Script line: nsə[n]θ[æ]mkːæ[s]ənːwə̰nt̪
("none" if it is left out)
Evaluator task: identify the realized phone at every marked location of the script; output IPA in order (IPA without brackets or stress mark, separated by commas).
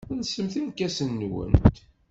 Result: m, i, s